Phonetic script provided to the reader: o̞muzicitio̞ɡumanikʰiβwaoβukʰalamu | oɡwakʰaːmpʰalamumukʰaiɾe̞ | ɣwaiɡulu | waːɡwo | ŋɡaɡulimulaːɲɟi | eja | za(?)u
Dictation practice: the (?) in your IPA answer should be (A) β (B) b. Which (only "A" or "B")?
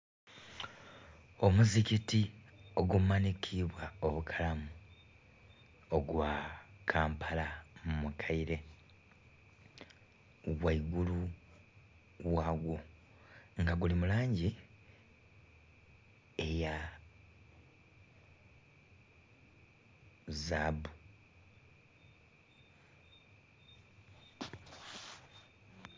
B